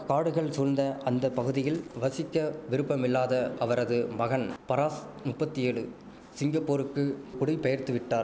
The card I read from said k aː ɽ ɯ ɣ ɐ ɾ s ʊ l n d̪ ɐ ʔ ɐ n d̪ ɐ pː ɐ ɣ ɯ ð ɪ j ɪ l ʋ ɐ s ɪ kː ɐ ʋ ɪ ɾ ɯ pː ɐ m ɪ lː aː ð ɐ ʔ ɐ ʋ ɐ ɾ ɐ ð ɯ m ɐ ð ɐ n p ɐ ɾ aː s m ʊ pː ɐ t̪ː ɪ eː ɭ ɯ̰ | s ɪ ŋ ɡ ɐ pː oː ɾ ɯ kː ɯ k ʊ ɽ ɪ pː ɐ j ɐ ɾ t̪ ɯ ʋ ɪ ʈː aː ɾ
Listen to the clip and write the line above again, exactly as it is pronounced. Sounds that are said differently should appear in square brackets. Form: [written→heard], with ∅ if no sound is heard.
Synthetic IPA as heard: k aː ɽ ɯ ɣ ɐ [ɾ→ɭ] s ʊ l n d̪ ɐ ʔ ɐ n d̪ ɐ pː ɐ ɣ ɯ ð ɪ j ɪ l ʋ ɐ s ɪ kː ɐ ʋ ɪ ɾ ɯ pː ɐ m ɪ lː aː ð ɐ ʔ ɐ ʋ ɐ ɾ ɐ ð ɯ m ɐ [ð→ɣ] ɐ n p ɐ ɾ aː s m ʊ pː ɐ t̪ː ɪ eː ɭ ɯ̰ | s ɪ ŋ ɡ ɐ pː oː ɾ ɯ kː ɯ k ʊ ɽ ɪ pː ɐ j ɐ ɾ t̪ ɯ ʋ ɪ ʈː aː ɾ